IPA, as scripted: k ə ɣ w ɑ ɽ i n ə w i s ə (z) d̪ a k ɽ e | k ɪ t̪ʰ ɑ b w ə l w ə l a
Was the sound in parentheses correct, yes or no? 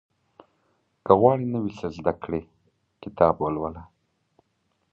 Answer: yes